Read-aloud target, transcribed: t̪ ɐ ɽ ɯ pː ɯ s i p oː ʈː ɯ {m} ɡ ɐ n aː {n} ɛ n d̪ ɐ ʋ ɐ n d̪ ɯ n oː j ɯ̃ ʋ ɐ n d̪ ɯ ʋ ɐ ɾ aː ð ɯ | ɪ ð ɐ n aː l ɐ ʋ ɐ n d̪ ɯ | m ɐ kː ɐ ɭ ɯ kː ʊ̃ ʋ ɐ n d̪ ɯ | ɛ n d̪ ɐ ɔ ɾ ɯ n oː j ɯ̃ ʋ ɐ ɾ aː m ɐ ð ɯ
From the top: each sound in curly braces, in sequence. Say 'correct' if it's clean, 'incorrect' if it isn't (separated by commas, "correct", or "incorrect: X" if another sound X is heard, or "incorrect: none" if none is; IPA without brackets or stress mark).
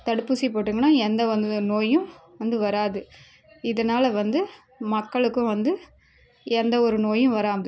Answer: incorrect: ŋ, incorrect: none